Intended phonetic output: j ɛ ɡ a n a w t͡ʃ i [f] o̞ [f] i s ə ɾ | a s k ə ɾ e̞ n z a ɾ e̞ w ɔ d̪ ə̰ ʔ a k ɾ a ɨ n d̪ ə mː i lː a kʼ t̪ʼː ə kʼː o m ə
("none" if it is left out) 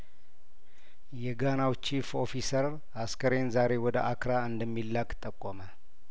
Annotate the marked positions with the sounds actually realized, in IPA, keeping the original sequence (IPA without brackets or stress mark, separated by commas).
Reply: f, f